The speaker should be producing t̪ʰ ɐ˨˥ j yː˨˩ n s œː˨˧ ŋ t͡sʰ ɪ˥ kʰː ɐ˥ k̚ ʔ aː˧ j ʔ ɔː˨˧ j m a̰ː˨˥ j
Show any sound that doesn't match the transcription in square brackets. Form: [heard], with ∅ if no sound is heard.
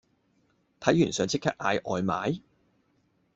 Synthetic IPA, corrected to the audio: t̪ʰ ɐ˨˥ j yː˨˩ n s œː˨˧ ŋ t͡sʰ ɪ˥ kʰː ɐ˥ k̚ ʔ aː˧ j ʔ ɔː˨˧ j m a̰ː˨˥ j

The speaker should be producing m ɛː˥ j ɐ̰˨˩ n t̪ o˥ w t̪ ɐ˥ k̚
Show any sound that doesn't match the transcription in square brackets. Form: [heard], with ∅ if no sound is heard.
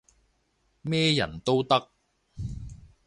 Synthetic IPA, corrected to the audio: m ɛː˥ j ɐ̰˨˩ n t̪ o˥ w t̪ ɐ˥ k̚

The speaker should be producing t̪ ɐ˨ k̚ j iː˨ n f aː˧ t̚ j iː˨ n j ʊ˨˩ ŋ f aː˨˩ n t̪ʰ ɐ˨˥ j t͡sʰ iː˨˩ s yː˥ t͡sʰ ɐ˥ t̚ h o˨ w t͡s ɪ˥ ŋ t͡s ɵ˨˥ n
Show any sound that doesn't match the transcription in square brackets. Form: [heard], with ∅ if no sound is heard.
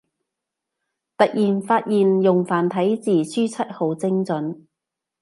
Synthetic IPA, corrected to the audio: t̪ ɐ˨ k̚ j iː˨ n f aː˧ t̚ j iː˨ n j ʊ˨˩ ŋ f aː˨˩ n t̪ʰ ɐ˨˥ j [t͡s] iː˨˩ s yː˥ t͡sʰ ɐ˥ t̚ h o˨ w t͡s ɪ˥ ŋ t͡s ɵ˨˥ n

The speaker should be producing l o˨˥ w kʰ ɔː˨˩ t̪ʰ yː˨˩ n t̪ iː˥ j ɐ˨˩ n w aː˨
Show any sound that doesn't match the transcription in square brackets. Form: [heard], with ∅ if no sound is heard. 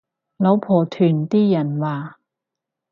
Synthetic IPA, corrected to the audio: l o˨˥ w [pʰ] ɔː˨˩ t̪ʰ yː˨˩ n t̪ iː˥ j ɐ˨˩ n w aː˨

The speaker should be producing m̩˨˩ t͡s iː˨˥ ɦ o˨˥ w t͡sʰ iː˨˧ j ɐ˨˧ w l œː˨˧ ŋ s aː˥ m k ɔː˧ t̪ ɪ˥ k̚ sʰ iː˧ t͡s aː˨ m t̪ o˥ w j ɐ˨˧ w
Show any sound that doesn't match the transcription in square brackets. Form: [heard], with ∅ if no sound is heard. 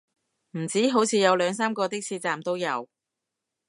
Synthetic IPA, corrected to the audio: m̩˨˩ t͡s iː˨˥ ɦ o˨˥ w t͡sʰ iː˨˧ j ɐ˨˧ w l œː˨˧ ŋ s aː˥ m k ɔː˧ t̪ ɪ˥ k̚ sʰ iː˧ t͡s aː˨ m t̪ o˥ w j ɐ˨˧ w

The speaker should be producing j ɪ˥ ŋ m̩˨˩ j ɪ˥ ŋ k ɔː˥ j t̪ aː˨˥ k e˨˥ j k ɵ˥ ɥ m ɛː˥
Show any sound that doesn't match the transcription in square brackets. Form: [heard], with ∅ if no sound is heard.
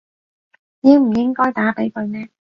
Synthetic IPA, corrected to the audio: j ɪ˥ ŋ m̩˨˩ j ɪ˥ ŋ k ɔː˥ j t̪ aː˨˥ [p] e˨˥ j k [ɵ˧] ɥ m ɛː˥

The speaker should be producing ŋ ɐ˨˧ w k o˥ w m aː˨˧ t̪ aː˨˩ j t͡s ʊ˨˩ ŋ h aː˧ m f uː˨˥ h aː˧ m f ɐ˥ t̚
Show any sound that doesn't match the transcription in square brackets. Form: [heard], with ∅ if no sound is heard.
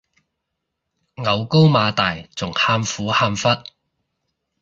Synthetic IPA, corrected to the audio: ŋ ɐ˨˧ w k o˥ w m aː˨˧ t̪ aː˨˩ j t͡s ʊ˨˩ ŋ h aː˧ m f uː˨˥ h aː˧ m f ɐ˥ t̚

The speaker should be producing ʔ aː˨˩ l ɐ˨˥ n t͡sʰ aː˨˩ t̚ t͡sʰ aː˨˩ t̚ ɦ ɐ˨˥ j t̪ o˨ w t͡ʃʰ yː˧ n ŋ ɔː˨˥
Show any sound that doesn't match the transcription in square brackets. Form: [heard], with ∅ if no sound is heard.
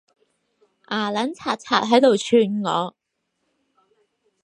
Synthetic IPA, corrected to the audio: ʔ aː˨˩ l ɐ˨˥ n t͡sʰ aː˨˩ t̚ t͡sʰ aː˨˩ t̚ ɦ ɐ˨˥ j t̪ o˨ w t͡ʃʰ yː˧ n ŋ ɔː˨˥

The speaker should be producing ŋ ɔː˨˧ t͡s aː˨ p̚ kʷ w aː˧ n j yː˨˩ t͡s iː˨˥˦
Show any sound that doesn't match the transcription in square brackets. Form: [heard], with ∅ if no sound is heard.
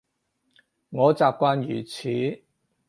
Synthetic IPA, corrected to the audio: ŋ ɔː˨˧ t͡s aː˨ p̚ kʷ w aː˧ n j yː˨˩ [t͡sʰ] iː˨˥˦

